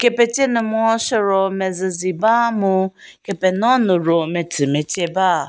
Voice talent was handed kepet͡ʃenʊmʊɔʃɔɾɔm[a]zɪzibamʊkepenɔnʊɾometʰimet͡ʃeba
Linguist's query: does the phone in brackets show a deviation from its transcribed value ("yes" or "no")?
yes